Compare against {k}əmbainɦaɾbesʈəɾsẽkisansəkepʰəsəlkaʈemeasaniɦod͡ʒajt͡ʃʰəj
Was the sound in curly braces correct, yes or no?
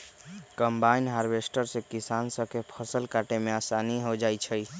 yes